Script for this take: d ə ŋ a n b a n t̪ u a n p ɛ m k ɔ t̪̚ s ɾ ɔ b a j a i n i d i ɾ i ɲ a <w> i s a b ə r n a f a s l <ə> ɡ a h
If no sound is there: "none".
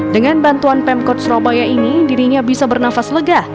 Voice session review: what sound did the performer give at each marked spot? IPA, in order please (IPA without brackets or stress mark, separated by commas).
b, ə